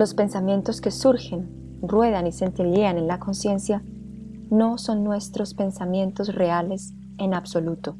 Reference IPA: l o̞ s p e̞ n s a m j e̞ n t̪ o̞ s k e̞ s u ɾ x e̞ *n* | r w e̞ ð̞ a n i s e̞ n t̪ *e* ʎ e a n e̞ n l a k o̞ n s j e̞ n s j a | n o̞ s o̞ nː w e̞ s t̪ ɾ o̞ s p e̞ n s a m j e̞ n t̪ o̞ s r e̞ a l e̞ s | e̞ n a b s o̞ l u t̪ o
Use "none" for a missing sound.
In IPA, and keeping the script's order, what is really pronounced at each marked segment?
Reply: n, e

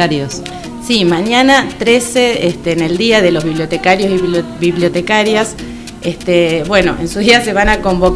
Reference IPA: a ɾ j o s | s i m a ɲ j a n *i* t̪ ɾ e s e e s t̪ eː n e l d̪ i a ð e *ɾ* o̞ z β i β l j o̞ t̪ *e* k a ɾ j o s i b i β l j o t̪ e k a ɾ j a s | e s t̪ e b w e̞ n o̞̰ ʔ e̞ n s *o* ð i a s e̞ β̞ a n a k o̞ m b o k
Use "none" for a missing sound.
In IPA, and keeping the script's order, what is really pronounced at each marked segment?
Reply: a, l, e, u

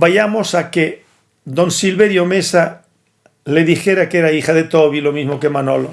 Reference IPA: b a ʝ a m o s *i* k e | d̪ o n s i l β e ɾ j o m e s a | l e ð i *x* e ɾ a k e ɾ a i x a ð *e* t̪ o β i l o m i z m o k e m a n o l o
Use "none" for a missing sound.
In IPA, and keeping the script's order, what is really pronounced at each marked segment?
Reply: a, x, e

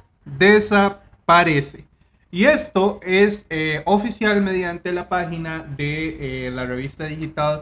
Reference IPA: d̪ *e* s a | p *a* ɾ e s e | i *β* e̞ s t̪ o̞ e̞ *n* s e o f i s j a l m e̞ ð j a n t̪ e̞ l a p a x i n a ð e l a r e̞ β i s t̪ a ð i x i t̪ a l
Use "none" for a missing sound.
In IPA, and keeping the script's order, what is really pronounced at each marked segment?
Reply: e, a, none, none

